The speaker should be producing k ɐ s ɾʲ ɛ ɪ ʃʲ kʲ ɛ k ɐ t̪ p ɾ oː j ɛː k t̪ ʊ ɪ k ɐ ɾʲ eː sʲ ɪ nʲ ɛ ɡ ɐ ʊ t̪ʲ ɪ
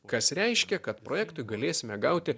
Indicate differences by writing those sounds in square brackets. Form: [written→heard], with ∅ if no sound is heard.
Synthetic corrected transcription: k ɐ s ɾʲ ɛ ɪ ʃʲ kʲ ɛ k ɐ t̪ p ɾ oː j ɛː k t̪ ʊ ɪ [k→ɡ] ɐ [ɾʲ→lʲ] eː sʲ ɪ [nʲ→mʲ] ɛ ɡ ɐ ʊ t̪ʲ ɪ